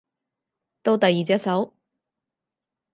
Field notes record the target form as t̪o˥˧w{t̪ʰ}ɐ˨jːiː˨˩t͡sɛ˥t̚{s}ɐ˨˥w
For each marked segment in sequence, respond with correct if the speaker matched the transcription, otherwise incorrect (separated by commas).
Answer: incorrect, correct